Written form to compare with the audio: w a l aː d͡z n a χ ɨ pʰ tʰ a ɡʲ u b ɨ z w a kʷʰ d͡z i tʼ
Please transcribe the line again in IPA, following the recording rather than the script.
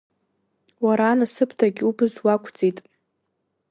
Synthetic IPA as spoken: w a ɾ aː n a s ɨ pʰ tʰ a ɡʲ u b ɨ z w a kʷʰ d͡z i tʼ